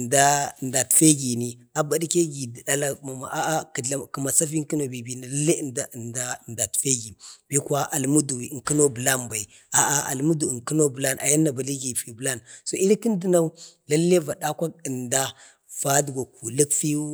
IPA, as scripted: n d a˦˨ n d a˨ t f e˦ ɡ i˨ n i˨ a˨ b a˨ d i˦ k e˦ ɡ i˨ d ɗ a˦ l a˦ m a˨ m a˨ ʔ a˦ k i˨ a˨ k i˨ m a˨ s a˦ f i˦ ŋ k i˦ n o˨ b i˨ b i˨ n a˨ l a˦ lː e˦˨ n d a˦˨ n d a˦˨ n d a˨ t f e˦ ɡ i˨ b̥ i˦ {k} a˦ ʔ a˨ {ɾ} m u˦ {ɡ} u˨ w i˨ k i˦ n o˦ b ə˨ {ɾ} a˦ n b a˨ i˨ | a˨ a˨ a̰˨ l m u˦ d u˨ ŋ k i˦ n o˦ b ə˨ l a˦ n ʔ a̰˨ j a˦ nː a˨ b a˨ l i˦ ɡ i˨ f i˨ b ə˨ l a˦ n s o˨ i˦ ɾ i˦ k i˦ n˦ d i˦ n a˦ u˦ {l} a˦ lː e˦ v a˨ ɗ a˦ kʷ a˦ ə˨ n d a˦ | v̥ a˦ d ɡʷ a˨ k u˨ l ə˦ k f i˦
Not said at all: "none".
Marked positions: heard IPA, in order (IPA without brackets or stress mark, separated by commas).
k, l, d, l, l